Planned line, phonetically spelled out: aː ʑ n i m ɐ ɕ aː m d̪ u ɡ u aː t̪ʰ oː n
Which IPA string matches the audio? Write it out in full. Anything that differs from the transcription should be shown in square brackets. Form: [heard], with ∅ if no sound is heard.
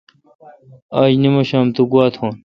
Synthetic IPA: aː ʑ n i m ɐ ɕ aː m [t̪] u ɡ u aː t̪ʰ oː n